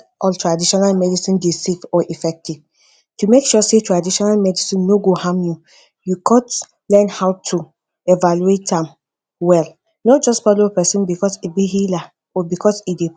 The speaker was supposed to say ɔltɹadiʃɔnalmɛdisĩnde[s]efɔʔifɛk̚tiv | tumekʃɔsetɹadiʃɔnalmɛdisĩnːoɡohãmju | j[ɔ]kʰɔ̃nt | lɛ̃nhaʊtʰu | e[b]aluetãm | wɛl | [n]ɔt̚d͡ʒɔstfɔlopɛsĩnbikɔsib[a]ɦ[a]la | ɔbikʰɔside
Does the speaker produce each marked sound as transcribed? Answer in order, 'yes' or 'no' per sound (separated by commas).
yes, no, no, yes, no, no